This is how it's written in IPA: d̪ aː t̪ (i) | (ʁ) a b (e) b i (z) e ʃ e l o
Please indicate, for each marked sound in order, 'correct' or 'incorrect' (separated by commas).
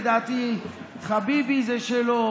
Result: correct, incorrect, incorrect, correct